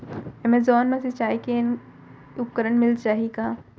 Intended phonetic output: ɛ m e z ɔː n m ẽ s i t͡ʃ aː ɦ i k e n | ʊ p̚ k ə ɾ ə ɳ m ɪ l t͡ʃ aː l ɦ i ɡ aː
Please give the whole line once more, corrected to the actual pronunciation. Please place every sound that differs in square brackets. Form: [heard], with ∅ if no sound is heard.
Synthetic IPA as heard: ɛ m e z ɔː n m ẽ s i t͡ʃ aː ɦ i k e n | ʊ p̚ k ə ɾ ə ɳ m ɪ l t͡ʃ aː [∅] ɦ i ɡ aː